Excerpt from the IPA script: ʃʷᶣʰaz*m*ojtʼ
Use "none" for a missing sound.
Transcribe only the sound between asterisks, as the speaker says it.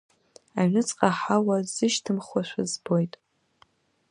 b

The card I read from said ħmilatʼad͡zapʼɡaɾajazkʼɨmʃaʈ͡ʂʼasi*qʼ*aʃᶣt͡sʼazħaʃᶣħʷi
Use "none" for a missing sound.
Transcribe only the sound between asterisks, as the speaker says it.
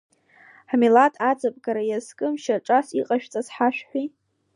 qʼ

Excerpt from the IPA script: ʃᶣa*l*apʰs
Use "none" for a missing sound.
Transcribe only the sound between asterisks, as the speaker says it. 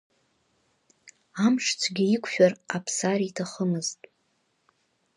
r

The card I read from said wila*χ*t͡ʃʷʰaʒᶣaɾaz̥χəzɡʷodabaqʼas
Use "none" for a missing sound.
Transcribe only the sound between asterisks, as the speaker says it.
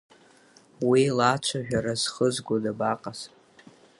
none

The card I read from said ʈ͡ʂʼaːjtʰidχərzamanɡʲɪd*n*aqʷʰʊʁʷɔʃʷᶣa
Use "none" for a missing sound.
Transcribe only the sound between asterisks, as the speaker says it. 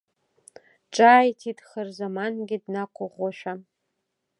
n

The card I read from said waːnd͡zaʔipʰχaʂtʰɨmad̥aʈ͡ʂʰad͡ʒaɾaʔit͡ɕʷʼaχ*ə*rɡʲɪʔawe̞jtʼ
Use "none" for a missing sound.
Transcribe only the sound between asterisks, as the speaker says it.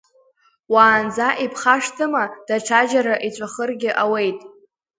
ə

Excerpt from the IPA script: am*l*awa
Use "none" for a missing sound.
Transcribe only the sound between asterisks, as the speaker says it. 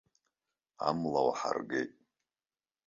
l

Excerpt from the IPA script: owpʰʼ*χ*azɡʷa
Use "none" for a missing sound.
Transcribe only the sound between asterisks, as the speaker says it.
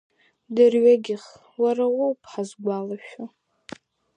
ħ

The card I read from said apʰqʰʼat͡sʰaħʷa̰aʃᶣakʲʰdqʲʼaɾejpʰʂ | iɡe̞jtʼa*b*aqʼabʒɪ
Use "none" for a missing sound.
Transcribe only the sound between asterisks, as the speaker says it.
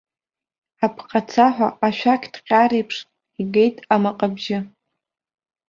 m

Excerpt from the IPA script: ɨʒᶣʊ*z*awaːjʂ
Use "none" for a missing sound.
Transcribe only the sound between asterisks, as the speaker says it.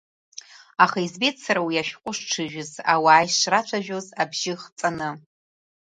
z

